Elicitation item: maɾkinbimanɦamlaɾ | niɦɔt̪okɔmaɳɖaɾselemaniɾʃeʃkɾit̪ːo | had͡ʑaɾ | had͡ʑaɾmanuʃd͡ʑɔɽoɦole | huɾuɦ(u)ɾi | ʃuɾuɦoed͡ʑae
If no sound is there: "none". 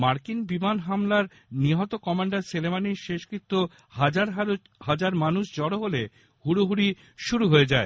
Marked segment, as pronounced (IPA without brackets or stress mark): u